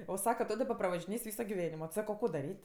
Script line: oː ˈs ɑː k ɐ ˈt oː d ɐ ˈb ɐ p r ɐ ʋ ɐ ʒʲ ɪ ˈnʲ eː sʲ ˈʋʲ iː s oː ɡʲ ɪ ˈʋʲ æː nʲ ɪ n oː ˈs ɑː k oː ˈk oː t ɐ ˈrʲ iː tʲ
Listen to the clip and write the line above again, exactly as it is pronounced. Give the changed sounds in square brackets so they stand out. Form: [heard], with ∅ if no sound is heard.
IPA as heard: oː ˈs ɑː k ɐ ˈt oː d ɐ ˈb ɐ p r ɐ ʋ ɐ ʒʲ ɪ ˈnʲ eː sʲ ˈʋʲ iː s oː ɡʲ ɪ ˈʋʲ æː nʲ ɪ [m] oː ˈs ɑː k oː ˈk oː [d] ɐ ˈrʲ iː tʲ